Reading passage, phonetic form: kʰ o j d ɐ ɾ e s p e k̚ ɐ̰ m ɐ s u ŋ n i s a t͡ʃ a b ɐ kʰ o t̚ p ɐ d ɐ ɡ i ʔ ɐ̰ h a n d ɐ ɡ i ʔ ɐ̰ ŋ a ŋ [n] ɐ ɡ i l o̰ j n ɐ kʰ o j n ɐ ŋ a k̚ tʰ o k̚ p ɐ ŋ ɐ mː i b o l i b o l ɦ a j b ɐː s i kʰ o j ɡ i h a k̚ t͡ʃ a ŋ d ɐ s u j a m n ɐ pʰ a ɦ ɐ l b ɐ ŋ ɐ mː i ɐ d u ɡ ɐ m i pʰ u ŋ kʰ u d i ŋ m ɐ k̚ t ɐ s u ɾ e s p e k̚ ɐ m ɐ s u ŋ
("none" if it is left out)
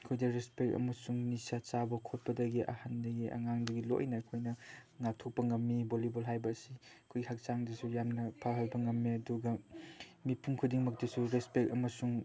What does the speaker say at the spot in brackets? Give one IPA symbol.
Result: d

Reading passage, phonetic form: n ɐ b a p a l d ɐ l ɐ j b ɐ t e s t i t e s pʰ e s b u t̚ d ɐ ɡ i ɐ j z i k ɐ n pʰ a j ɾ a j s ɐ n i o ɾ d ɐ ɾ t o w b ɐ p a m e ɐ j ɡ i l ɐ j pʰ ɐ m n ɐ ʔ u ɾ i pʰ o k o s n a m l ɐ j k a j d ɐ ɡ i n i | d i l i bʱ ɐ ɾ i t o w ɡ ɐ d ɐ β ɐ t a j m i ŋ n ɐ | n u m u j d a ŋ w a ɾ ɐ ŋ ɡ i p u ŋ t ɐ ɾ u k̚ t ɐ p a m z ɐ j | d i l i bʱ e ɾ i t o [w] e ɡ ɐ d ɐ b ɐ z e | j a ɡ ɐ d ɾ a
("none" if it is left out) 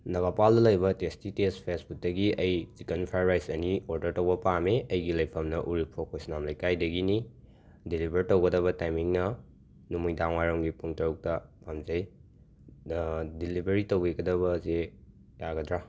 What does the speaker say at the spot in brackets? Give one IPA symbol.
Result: w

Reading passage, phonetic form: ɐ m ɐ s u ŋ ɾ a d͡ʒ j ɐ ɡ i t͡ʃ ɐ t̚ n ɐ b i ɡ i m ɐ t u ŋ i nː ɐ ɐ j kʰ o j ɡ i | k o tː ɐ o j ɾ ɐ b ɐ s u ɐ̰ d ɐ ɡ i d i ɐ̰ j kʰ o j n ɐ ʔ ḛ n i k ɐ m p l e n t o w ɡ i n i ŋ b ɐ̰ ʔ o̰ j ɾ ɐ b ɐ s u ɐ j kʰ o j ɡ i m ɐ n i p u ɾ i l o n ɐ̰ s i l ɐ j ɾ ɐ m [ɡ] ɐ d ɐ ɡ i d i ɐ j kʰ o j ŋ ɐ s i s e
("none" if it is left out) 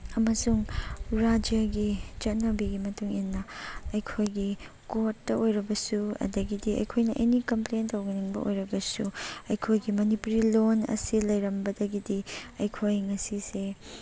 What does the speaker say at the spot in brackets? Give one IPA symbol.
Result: b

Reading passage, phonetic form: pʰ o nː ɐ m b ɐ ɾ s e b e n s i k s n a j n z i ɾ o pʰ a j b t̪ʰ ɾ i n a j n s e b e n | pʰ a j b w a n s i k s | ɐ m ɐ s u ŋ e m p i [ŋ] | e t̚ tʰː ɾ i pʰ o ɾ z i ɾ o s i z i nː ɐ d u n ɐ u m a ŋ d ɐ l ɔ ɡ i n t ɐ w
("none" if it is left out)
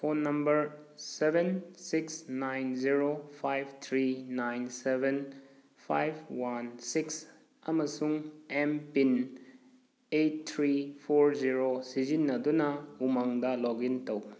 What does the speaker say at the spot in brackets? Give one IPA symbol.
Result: n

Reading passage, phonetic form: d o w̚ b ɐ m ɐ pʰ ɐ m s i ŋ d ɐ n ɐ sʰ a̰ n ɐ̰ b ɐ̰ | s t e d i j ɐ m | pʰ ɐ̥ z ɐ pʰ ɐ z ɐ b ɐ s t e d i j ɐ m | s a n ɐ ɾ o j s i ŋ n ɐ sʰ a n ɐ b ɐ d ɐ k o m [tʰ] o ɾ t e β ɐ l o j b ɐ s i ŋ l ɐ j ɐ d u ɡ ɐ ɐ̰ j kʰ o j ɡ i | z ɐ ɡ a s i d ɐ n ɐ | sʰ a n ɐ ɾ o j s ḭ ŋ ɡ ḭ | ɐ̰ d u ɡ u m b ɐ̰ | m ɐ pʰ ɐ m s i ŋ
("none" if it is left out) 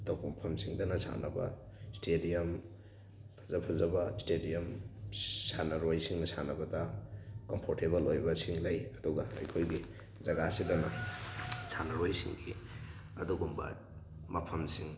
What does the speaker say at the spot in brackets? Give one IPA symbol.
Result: pʰ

